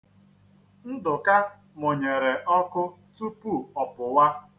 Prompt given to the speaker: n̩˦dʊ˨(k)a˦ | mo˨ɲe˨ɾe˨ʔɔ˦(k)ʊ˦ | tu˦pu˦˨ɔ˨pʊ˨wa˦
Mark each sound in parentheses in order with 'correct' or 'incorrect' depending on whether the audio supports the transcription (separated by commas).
correct, correct